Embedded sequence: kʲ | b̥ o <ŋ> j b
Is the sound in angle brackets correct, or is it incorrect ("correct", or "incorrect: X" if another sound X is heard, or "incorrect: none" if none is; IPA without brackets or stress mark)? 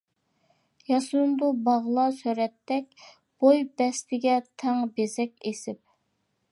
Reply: incorrect: none